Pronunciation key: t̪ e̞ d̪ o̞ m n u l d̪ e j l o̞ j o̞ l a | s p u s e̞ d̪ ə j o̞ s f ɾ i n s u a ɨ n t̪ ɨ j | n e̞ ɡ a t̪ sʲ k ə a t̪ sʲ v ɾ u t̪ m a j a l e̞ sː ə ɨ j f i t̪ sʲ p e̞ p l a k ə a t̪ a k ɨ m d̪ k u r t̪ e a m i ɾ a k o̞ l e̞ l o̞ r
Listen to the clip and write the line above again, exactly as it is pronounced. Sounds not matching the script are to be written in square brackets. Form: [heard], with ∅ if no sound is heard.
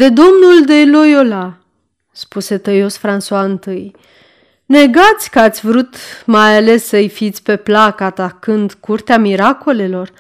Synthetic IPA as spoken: [d̪] e̞ d̪ o̞ m n u l d̪ e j l o̞ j o̞ l a | s p u s e̞ [t̪] ə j o̞ s f ɾ [a] n s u a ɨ n t̪ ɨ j | n e̞ ɡ a t̪ sʲ k ə a t̪ sʲ v ɾ u t̪ m a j a l e̞ sː ə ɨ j f i t̪ sʲ p e̞ p l a k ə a t̪ a k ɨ [n] d̪ k u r t̪ e a m i ɾ a k o̞ l e̞ l o̞ r